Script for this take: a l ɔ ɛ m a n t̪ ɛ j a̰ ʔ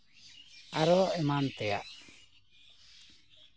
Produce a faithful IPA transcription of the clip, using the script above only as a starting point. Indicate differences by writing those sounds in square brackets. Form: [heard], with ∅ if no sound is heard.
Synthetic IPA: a [ɾ] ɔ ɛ m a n t̪ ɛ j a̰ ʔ